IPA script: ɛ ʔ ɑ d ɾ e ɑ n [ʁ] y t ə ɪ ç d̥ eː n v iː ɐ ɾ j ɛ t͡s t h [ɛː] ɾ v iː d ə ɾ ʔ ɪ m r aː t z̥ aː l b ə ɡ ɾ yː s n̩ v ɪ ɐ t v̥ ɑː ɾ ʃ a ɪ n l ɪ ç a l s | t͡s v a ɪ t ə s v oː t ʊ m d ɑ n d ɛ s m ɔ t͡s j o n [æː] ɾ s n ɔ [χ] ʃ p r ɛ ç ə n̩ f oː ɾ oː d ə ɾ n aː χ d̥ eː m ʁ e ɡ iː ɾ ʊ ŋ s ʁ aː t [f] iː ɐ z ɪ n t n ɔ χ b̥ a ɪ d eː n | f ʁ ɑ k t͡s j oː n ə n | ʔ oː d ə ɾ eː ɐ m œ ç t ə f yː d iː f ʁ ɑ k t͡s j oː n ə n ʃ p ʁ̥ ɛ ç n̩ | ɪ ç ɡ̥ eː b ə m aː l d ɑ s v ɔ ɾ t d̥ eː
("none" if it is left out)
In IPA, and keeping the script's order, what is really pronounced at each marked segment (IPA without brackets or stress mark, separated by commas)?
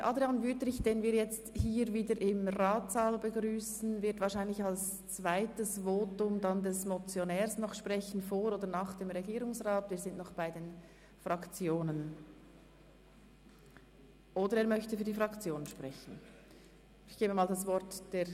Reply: v, iː, ɛː, χ, v